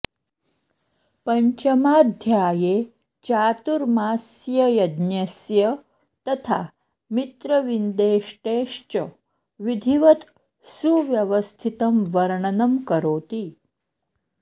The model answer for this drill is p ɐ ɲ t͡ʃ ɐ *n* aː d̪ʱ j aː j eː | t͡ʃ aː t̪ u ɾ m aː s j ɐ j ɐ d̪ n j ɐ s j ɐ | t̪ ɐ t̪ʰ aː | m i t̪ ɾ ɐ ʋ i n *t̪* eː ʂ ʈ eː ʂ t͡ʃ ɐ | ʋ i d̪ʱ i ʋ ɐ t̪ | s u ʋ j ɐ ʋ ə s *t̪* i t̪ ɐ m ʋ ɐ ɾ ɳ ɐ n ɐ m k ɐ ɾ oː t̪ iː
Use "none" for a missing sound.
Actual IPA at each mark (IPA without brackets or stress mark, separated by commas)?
m, d̪, t̪ʰ